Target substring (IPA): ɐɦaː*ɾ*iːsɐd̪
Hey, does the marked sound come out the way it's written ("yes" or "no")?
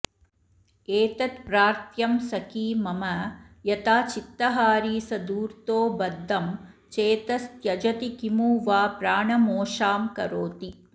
yes